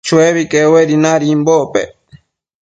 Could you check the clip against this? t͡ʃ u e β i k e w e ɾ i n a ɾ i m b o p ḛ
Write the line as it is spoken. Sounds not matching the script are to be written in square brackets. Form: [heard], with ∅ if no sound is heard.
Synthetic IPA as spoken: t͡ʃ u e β i k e w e ɾ i n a ɾ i m b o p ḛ